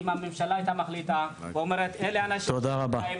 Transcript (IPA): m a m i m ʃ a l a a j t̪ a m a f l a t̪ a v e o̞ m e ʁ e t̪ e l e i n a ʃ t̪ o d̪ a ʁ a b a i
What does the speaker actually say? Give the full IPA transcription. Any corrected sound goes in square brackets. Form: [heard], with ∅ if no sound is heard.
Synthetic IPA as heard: m a m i m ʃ a l a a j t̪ a m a [χ] l [i] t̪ a v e o̞ m e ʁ e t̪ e l e [a] n a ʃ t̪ o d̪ a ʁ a b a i